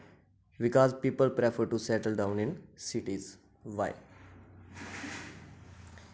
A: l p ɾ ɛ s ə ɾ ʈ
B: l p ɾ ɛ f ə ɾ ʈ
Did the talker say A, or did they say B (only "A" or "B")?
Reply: B